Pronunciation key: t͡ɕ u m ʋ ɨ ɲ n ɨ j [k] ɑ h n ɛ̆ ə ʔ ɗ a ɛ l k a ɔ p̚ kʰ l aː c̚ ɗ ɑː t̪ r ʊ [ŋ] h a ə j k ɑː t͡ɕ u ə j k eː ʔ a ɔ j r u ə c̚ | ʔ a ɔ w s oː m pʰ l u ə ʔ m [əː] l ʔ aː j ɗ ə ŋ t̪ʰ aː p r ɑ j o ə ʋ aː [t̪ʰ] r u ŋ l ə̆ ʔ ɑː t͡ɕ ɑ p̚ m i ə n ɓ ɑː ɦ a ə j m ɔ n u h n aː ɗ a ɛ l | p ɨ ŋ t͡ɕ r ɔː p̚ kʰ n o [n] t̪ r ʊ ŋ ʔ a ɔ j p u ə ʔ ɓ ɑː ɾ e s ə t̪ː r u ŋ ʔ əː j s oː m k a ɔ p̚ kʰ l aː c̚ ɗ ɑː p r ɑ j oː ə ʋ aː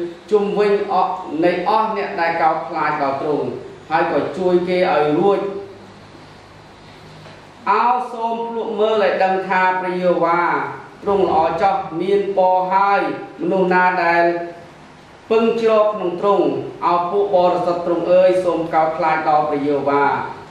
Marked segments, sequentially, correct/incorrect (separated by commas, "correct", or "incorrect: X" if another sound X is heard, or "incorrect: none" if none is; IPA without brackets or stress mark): incorrect: ʔ, correct, correct, incorrect: t̪, incorrect: ŋ